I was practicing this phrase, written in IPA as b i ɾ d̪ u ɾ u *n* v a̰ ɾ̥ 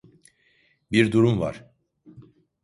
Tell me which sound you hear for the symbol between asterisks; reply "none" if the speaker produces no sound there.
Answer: m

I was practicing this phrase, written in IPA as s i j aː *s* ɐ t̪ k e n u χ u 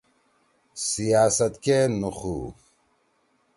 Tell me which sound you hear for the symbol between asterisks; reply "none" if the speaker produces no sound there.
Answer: s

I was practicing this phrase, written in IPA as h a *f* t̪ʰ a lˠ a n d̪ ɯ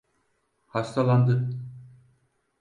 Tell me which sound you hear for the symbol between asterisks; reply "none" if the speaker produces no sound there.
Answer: s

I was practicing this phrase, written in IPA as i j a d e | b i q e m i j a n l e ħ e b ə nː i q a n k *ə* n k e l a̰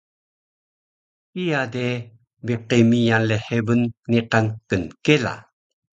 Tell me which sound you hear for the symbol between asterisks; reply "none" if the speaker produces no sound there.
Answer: ə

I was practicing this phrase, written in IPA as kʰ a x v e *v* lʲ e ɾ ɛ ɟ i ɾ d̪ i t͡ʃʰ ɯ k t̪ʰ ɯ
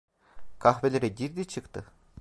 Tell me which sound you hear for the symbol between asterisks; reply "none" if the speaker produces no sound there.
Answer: none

